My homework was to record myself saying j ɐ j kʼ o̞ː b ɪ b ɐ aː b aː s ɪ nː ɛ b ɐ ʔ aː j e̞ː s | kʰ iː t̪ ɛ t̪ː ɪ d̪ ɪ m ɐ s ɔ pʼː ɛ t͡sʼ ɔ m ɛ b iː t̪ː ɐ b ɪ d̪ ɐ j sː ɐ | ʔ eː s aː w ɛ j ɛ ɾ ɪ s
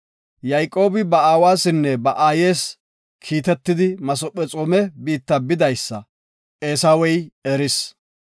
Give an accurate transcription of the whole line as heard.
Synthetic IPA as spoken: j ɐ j kʼ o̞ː b ɪ b ɐ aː w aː s ɪ nː ɛ b ɐ ʔ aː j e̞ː s | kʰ iː t̪ ɛ t̪ː ɪ d̪ ɪ m ɐ s ɔ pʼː ɛ t͡sʼ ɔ m ɛ b iː t̪ː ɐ b ɪ d̪ ɐ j sː ɐ | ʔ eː s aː w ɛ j ɛ ɾ ɪ s